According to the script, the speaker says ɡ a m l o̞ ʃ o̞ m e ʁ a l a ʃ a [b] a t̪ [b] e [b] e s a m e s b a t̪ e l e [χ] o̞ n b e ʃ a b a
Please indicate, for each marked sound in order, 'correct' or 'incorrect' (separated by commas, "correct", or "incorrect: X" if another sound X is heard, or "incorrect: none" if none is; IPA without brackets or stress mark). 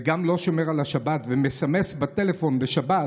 correct, incorrect: v, incorrect: m, incorrect: f